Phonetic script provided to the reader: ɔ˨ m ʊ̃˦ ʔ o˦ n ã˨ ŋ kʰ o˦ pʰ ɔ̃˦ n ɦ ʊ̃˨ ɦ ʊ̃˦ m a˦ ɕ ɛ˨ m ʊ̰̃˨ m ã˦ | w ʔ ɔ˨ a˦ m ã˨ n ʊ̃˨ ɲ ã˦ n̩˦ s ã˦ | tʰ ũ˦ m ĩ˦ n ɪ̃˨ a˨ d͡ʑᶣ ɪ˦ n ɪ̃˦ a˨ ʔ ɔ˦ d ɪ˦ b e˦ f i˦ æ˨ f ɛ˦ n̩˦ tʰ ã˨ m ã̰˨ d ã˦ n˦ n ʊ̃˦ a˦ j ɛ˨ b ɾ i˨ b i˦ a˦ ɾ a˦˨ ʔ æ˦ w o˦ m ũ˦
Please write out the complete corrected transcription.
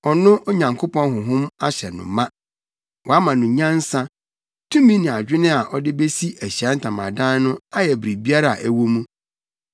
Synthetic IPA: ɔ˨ n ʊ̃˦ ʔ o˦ ɲ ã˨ ŋ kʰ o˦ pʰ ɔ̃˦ n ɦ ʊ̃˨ ɦ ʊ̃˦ m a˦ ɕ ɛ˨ n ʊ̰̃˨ m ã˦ | w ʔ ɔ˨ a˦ m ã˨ n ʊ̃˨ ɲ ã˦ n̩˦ s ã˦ | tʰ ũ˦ m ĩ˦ n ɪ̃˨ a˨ d͡ʑᶣ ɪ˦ n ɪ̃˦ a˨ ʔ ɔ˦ d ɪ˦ b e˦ s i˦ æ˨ ɕ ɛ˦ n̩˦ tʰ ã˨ m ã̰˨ d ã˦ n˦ n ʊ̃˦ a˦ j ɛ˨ b ɾ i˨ b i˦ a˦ ɾ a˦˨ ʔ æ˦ w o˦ m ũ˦